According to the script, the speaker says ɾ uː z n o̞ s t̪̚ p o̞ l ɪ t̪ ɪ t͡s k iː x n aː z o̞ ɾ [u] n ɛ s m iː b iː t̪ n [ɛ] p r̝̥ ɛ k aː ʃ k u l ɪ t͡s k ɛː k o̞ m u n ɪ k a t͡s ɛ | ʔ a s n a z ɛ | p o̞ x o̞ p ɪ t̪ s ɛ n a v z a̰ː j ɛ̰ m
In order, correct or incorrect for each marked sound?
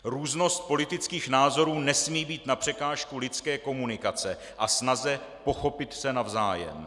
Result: incorrect: uː, incorrect: a

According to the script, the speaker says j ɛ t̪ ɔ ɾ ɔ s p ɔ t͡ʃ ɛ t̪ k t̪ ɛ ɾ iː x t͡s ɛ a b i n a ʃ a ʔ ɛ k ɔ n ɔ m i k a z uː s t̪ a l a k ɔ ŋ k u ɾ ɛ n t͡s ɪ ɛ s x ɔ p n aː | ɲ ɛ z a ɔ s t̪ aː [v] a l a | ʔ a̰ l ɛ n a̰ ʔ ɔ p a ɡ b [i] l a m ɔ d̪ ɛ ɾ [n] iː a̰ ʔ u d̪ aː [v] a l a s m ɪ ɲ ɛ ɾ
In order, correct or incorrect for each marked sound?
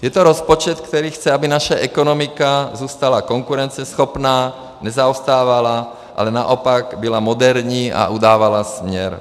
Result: incorrect: ʋ, correct, incorrect: ɲ, incorrect: ʋ

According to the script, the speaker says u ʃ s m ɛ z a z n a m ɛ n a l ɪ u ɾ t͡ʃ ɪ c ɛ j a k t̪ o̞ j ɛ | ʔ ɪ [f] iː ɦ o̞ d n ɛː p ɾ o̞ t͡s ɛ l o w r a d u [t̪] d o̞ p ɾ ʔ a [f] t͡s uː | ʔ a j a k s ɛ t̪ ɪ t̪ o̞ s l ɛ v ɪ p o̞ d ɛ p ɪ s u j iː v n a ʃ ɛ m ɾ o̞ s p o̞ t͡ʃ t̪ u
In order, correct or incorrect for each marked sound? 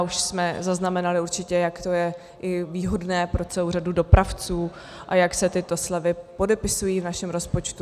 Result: incorrect: v, incorrect: none, correct

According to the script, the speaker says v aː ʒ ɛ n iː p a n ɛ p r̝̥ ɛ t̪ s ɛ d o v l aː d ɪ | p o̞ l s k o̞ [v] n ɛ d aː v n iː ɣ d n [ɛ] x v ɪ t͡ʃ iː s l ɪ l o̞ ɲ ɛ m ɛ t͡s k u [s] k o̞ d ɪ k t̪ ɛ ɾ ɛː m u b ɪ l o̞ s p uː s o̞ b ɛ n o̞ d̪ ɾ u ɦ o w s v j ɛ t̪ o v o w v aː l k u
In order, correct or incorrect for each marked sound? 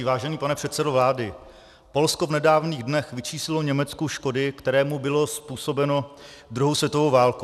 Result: correct, correct, incorrect: ʃ

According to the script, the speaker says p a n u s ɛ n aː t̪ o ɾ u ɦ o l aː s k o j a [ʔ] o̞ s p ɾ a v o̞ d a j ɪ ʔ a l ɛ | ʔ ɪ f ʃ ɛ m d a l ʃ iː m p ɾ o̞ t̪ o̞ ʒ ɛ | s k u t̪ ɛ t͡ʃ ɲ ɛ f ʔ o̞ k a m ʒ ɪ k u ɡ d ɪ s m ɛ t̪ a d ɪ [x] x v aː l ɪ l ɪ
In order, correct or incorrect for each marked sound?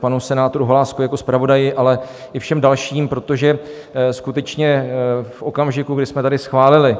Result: incorrect: k, incorrect: s

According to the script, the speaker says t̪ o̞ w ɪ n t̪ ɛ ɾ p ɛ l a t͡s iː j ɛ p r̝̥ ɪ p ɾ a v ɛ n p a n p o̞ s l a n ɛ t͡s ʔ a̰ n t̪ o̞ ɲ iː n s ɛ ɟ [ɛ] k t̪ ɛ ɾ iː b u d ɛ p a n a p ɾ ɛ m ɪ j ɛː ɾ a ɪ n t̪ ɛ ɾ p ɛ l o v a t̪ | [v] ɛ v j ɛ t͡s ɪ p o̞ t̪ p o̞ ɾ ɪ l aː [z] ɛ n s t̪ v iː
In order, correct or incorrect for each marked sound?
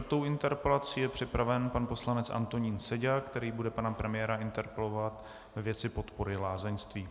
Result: incorrect: a, correct, correct

